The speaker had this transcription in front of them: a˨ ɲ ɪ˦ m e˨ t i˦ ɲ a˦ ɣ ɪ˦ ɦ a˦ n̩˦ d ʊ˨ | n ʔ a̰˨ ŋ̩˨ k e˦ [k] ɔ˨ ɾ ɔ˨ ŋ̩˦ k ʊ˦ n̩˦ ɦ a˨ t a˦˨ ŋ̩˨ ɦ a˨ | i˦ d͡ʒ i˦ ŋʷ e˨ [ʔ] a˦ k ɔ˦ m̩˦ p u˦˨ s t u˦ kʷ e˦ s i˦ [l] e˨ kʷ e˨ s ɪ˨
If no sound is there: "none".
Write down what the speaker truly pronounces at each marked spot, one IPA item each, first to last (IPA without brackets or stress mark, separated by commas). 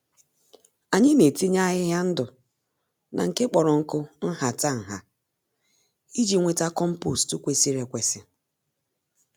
k͡p, t, ɾ